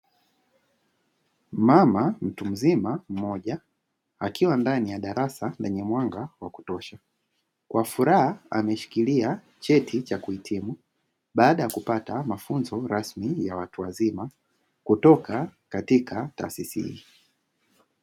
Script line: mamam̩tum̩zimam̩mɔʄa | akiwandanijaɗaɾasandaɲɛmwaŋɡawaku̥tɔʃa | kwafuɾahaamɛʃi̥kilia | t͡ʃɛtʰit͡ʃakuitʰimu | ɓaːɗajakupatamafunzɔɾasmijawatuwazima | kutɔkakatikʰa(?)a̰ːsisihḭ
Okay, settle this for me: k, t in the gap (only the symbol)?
t